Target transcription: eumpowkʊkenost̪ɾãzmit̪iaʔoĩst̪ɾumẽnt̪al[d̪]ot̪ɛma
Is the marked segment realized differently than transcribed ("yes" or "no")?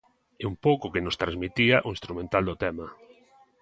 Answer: no